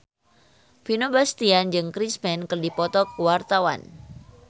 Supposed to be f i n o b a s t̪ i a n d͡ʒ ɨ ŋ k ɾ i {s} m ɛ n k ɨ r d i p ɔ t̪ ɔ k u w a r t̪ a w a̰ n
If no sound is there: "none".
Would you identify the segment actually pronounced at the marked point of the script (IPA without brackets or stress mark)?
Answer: s